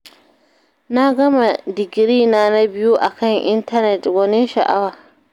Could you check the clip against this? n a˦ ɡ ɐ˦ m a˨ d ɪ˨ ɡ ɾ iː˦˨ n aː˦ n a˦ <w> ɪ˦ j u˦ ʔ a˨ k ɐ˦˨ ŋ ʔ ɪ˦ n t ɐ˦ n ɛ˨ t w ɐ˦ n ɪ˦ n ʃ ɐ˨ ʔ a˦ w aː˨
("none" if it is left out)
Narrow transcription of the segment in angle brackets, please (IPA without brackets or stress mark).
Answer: b